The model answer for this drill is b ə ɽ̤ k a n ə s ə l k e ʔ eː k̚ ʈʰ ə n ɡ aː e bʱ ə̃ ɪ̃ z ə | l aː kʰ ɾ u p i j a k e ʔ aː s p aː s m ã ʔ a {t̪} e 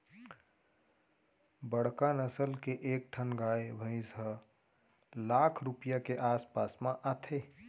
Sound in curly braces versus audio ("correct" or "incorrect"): incorrect